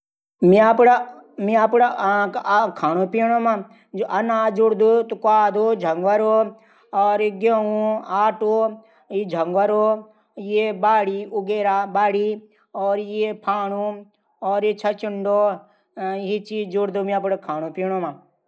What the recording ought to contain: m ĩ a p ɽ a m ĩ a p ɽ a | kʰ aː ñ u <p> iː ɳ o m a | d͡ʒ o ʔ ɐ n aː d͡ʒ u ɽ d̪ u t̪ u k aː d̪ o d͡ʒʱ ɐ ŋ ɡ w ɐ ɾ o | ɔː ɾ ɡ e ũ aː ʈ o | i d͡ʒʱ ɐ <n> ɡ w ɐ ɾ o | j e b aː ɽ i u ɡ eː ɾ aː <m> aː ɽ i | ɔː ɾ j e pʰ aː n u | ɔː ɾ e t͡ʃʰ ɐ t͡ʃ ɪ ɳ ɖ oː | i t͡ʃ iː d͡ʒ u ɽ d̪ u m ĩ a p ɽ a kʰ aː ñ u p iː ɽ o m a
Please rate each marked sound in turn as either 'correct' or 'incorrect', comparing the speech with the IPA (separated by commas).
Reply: correct, incorrect, incorrect